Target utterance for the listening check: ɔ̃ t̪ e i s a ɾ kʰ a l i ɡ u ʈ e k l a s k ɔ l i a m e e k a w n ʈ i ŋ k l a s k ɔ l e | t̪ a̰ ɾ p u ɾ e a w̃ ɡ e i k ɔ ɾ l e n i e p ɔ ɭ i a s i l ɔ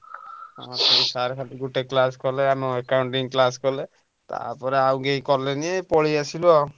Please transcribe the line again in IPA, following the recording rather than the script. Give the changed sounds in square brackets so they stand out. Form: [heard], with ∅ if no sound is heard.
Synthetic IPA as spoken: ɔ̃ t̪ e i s a ɾ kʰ a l i ɡ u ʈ e k l a s k ɔ l [e] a m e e k a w [ɳ] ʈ i ŋ k l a s k ɔ l e | t̪ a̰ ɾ p [ɔ] ɾ e a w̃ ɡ e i k ɔ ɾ l e n i e p ɔ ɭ i a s i l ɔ